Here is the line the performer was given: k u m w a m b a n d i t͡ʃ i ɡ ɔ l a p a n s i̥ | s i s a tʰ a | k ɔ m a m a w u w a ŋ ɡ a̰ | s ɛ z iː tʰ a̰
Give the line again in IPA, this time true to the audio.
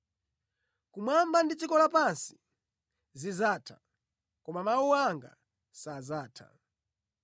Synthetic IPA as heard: k u m w a m b a n d i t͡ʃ i k ɔ l a p a n s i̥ | z i z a tʰ a | k ɔ m a m a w u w a ŋ ɡ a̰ | s a z aː tʰ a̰